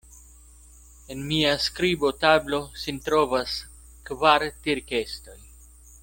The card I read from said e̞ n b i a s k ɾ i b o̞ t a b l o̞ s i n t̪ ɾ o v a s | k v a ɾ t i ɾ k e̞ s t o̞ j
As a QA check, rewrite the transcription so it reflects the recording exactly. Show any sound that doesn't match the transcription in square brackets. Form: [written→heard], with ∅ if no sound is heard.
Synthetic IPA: e̞ n [b→m] i a s k ɾ i b o̞ t a b l o̞ s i n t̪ ɾ o v a s | k v a ɾ t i ɾ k e̞ s t o̞ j